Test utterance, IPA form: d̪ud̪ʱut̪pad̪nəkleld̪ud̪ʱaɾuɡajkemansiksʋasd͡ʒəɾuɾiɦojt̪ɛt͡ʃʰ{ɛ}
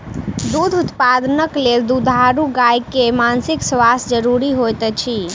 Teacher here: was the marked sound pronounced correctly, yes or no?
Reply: no